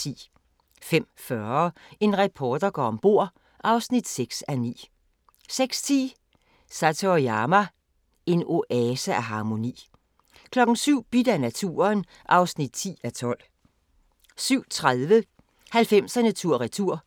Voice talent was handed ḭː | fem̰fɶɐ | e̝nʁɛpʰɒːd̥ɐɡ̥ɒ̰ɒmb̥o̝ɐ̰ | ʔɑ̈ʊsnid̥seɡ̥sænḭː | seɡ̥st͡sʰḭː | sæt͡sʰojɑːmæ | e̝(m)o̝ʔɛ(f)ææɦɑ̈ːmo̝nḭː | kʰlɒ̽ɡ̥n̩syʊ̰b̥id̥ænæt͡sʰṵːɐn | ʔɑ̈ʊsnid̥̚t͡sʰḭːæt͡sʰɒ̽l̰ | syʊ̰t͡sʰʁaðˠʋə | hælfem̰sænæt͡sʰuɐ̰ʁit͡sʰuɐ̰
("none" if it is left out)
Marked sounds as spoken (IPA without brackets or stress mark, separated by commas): n, s